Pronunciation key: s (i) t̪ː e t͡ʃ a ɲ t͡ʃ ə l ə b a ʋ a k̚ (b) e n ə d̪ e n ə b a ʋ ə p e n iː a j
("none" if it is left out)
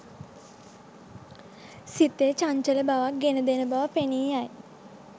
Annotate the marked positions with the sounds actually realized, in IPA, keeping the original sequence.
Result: i, ɡ

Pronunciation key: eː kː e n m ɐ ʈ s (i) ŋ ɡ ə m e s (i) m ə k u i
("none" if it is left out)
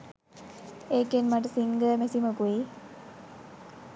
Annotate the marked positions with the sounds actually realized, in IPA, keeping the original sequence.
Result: i, i

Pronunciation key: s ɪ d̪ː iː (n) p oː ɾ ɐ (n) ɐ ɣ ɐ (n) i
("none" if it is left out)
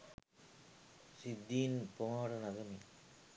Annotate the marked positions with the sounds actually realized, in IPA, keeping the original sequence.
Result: n, n, m

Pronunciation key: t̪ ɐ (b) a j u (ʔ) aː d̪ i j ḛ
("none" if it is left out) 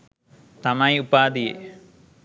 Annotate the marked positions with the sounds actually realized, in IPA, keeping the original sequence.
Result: m, p

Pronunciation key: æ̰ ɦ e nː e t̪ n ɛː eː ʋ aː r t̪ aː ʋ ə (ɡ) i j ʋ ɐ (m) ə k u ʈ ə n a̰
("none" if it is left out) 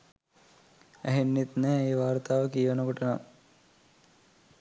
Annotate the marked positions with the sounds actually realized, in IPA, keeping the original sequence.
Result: k, n

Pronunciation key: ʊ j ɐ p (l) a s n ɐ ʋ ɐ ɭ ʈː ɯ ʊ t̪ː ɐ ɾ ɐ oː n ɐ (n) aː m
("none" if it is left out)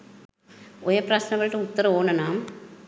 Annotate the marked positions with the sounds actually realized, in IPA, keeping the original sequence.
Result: ɾ, n

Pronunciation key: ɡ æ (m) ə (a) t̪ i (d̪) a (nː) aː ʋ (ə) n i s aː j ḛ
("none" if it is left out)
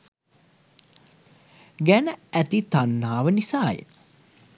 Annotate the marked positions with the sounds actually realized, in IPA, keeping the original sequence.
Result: n, æ, t̪, nː, ə

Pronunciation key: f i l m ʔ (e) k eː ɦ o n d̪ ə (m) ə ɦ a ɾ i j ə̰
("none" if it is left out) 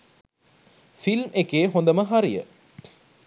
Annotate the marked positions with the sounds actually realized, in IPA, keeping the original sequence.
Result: e, m

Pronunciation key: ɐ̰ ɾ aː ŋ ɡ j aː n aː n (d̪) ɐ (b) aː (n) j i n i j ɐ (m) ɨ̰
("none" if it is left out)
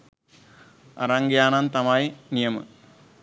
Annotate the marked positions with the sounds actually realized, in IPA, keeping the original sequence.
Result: t̪, m, none, m

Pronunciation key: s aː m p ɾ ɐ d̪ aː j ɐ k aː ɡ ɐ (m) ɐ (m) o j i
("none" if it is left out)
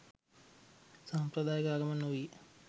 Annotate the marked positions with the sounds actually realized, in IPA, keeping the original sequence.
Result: m, n

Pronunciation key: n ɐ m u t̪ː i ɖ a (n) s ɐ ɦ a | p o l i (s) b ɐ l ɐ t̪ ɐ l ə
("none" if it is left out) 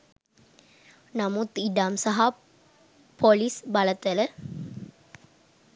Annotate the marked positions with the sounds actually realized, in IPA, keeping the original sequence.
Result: m, s

